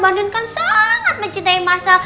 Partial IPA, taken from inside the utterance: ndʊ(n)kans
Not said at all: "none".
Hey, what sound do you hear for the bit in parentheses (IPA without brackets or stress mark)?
n